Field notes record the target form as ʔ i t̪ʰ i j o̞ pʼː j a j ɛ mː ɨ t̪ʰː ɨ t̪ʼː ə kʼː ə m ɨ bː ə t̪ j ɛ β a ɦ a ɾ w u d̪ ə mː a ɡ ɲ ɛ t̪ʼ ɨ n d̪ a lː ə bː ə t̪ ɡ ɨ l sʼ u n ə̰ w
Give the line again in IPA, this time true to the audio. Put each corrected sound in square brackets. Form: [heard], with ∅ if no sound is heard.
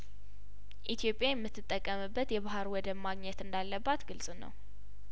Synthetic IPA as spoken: ʔ i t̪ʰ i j o̞ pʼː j a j ɛ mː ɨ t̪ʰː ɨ t̪ʼː ə kʼː ə m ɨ bː ə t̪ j ɛ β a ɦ a ɾ w [ɔ] d̪ ə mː a ɡ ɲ ɛ [t̪] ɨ n d̪ a lː ə bː [a] t̪ ɡ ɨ l sʼ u n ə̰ w

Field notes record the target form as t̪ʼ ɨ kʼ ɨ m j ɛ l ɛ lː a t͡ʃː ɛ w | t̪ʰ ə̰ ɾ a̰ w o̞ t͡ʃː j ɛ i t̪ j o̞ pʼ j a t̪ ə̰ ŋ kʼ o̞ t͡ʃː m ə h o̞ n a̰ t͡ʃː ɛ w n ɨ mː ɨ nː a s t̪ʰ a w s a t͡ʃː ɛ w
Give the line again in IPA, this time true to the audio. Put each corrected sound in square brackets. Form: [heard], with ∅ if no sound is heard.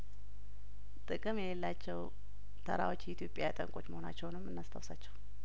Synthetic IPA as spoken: t̪ʼ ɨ kʼ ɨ m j ɛ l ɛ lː a t͡ʃː ɛ w | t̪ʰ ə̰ ɾ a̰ w o̞ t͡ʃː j ɛ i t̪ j o̞ pʼ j a [t̪ʼ] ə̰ ŋ kʼ o̞ t͡ʃː m ə h o̞ n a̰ t͡ʃː ɛ w n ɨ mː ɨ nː a s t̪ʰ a w s a t͡ʃː ɛ w

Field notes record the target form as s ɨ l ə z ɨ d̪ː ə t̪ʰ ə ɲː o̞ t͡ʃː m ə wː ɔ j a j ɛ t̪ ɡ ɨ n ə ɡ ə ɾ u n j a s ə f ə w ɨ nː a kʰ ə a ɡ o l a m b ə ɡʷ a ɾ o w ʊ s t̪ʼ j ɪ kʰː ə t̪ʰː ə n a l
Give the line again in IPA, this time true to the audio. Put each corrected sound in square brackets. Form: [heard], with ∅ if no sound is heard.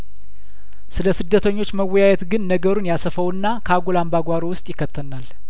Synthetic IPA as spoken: s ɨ l ə [s] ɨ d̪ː ə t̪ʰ ə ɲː o̞ t͡ʃː m ə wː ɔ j a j ɛ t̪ ɡ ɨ [nː] ə ɡ ə ɾ u n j a s ə f ə w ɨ nː a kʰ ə a ɡ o l a m b [a] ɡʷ a ɾ o w ʊ s t̪ʼ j ɪ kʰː ə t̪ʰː ə n a l

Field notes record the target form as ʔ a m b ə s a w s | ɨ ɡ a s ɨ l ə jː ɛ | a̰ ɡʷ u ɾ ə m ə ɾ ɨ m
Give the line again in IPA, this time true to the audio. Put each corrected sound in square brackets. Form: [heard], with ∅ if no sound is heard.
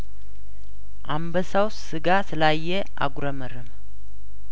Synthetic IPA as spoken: ʔ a m b ə s a w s | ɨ ɡ a s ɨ l [a] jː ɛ | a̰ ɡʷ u ɾ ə m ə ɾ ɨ m

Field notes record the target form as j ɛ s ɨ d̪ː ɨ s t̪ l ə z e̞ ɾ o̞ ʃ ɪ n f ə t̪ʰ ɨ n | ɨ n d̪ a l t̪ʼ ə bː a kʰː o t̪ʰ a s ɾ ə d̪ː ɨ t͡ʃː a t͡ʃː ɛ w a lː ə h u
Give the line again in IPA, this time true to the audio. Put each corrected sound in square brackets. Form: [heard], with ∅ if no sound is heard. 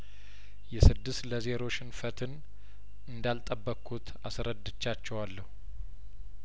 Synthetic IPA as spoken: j ɛ s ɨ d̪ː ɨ s t̪ l ə z e̞ ɾ o̞ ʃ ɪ n f ə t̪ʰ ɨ n | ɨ n d̪ a l t̪ʼ ə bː [ə] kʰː [u] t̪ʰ a s ɾ ə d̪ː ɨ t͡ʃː a t͡ʃː ɛ w a lː ə h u

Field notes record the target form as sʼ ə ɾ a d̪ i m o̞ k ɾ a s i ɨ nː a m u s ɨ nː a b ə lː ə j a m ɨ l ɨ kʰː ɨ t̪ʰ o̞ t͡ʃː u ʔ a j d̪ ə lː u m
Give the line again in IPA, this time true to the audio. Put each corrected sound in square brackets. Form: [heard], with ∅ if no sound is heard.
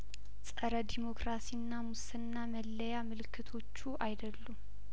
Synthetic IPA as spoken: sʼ ə ɾ [ə] d̪ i m o̞ k ɾ a s i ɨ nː a m u s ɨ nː a [m] ə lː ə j a m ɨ l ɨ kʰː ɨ t̪ʰ o̞ t͡ʃː u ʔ a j d̪ ə lː u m

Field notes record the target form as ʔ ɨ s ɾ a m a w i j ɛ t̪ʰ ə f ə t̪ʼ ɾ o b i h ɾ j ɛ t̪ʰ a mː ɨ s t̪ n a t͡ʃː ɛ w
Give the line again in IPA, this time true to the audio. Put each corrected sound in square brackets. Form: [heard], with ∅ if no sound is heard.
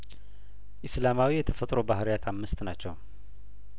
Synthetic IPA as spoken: ʔ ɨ s [l] a m a w i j ɛ t̪ʰ ə f ə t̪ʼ ɾ o b [a] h ɾ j [a] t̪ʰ a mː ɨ s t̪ n a t͡ʃː ɛ w

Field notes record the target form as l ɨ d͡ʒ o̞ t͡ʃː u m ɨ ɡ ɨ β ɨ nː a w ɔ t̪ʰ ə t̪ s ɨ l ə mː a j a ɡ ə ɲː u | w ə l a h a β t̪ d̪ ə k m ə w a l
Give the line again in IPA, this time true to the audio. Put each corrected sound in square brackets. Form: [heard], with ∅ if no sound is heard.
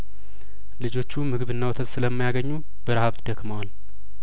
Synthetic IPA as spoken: l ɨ d͡ʒ o̞ t͡ʃː u m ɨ ɡ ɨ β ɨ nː a w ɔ t̪ʰ ə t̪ s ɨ l ə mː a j a ɡ ə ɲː u | [b] ə [ɾ] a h a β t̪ d̪ ə k m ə w a l

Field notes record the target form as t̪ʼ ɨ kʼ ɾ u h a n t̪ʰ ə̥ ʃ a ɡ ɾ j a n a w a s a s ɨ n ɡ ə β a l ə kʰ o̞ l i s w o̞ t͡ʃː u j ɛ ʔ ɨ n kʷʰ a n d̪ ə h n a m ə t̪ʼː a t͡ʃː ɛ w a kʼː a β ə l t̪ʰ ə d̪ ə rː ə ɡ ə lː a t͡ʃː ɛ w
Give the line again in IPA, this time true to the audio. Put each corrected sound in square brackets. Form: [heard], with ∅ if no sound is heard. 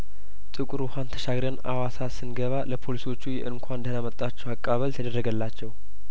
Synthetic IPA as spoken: t̪ʼ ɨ kʼ ɾ u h a n t̪ʰ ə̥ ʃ a ɡ ɾ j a n a w a s a s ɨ n ɡ ə β a l ə [pʰ] o̞ l i s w o̞ t͡ʃː u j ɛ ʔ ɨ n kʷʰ a n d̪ ə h n a m ə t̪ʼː a t͡ʃː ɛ w a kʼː a β ə l t̪ʰ ə d̪ ə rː ə ɡ ə lː a t͡ʃː ɛ w

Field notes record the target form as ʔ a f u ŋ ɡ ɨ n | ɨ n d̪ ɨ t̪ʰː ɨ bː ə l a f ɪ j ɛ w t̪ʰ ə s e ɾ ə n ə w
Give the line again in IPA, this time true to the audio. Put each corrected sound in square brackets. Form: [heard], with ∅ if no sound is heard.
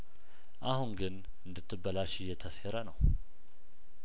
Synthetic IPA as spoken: ʔ a [h] u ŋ ɡ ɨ n | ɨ n d̪ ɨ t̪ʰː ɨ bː ə l a [ʃ] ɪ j ɛ [∅] t̪ʰ ə s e ɾ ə n ə w

